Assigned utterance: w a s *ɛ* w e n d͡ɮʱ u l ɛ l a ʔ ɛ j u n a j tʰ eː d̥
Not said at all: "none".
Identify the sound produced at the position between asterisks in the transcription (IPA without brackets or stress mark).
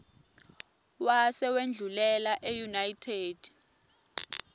ɛ